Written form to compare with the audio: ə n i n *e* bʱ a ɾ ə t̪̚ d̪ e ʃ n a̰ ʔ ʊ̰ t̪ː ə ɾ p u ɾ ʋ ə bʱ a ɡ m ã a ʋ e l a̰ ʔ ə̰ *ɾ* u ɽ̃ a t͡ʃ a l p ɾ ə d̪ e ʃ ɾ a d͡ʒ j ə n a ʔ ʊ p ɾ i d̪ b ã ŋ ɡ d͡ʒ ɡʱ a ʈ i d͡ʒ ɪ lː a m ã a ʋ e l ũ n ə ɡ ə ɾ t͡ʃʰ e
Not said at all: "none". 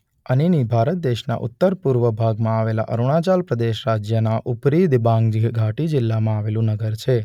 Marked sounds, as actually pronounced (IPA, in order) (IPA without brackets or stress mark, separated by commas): i, ɾ